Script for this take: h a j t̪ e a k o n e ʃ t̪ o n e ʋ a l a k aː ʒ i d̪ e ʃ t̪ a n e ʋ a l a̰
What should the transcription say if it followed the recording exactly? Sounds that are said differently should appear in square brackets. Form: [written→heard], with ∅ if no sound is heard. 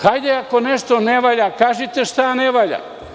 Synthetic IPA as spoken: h a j [t̪→d̪] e a k o n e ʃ t̪ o n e ʋ a [l→ʎ] a k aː ʒ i [d̪→t̪] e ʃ t̪ a n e ʋ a [l→ʎ] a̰